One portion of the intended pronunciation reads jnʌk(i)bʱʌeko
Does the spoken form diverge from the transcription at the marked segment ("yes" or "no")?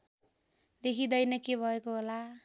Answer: yes